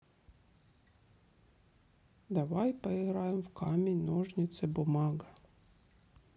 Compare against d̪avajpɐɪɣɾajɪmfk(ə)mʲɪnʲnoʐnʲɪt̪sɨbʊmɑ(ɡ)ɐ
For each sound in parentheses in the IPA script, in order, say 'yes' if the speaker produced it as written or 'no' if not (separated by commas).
no, yes